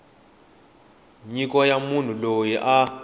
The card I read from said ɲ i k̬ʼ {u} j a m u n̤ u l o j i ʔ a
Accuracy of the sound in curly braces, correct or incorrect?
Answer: incorrect